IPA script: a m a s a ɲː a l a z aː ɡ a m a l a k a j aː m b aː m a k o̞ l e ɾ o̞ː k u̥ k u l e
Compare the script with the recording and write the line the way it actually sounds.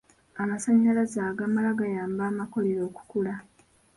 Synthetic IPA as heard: a m a s a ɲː a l a z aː ɡ a m a l a ɡ a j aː m b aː m a k o̞ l e ɾ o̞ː k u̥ k u l a